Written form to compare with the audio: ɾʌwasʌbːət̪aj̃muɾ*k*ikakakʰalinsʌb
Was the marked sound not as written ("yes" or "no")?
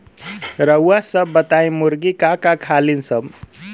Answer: yes